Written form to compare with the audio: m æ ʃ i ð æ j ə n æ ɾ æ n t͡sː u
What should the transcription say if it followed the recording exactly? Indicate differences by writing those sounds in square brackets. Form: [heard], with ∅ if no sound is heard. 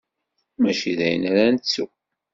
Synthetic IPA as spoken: m æ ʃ i ð æ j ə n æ ɾ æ n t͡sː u